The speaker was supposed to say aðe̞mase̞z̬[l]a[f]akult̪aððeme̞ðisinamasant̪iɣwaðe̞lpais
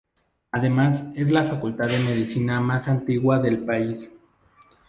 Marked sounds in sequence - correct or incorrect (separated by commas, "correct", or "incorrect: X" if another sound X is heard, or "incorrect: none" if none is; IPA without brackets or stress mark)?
correct, correct